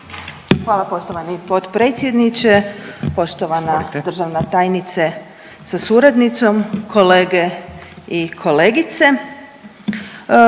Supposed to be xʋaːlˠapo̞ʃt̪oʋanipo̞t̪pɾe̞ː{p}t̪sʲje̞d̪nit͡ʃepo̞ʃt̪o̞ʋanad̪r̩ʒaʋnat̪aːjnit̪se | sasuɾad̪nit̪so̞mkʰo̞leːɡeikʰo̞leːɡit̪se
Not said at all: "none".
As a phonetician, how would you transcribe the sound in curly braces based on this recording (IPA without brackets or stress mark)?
none